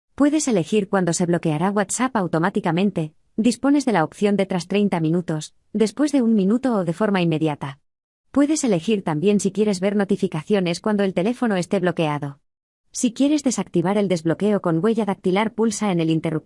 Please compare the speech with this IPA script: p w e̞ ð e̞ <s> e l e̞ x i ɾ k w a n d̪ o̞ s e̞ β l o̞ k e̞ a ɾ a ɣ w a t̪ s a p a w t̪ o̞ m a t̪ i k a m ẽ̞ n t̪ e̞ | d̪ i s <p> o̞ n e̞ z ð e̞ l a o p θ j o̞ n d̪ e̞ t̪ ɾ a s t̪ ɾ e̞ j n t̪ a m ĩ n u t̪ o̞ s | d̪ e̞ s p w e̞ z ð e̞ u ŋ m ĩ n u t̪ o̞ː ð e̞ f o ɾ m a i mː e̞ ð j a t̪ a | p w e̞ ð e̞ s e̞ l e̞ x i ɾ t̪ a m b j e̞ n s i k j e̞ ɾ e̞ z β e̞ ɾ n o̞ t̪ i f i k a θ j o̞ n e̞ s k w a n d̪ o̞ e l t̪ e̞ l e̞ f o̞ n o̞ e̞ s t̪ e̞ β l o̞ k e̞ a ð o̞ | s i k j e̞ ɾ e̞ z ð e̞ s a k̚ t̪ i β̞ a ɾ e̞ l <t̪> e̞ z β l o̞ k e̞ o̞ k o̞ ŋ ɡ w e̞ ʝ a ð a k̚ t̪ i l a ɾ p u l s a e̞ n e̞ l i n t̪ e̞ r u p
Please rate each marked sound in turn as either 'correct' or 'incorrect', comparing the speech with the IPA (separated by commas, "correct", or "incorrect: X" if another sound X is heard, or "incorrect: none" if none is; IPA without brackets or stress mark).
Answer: correct, correct, incorrect: d̪